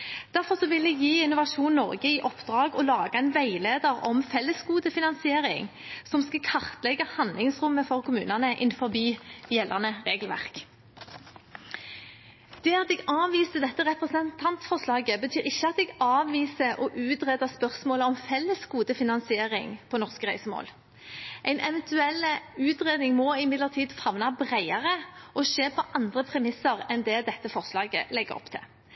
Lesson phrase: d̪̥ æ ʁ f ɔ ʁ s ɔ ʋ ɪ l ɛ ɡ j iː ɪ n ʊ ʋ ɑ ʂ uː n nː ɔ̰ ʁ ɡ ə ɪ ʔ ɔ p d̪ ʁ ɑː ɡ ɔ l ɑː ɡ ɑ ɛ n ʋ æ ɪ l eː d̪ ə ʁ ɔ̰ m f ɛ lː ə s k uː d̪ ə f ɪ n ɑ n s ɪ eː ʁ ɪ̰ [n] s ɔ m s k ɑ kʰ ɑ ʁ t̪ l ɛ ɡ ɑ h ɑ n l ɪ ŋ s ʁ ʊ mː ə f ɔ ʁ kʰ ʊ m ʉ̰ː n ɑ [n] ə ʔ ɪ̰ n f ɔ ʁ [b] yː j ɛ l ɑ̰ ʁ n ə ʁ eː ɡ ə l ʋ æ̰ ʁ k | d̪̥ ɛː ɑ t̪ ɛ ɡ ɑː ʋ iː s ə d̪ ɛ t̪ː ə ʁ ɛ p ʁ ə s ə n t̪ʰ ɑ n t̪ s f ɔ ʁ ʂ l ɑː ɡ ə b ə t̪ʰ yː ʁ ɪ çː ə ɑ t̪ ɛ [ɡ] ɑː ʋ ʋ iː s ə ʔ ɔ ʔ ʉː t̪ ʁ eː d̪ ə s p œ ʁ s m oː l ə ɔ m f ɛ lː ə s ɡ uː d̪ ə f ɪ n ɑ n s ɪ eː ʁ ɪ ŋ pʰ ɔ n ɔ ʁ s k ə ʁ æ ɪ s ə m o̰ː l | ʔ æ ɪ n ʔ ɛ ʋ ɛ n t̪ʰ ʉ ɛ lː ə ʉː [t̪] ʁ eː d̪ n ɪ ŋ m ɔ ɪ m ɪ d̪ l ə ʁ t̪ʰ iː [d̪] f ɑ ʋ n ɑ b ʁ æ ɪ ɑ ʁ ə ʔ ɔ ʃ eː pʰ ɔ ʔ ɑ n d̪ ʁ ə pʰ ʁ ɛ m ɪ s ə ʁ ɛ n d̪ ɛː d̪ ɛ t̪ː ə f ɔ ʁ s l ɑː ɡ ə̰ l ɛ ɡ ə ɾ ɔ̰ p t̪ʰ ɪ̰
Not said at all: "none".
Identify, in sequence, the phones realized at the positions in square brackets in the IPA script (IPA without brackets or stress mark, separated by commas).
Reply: ŋ, n, b, ɡ, t̪, d̪